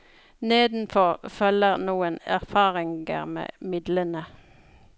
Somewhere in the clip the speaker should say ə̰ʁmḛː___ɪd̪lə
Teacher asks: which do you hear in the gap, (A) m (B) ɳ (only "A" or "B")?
A